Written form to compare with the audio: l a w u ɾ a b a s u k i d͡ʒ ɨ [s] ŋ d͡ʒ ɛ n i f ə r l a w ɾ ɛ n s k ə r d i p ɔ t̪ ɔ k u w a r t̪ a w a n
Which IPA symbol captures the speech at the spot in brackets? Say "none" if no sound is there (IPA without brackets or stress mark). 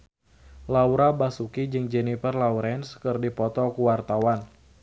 none